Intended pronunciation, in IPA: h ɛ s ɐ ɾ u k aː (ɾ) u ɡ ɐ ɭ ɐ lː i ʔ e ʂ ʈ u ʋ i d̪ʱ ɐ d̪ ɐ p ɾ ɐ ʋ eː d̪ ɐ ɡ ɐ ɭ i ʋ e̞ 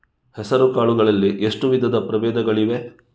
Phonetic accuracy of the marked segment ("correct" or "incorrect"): incorrect